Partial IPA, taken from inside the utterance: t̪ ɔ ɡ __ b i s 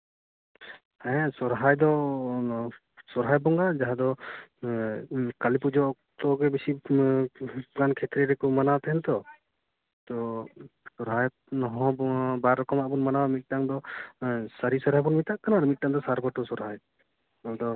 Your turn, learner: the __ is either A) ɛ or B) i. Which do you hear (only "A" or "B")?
A